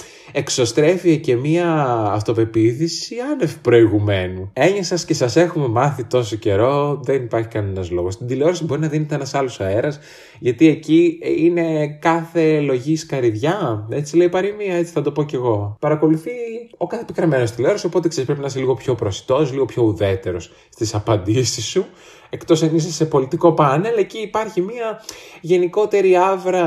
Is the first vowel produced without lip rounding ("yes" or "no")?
yes